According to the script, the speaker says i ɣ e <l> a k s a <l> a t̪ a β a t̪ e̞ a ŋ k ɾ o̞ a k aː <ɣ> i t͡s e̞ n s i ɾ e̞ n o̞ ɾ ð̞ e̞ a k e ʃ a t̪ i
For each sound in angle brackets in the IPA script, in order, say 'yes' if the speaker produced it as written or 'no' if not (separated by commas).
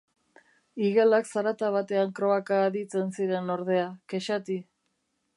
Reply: yes, no, no